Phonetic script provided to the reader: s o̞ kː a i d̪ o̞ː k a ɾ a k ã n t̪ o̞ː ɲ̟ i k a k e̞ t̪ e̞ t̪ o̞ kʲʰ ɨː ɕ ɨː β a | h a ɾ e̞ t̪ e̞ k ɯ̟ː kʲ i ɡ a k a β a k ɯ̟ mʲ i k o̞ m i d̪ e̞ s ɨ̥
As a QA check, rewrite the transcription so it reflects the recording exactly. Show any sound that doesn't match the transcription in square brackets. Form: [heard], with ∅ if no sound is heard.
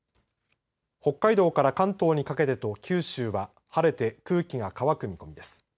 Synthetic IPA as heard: [h] o̞ kː a i d̪ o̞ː k a ɾ a k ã n t̪ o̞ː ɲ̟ i k a k e̞ t̪ e̞ t̪ o̞ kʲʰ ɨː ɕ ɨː β a | h a ɾ e̞ t̪ e̞ k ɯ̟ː kʲ i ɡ a k a β a k ɯ̟ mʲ i k o̞ m i d̪ e̞ s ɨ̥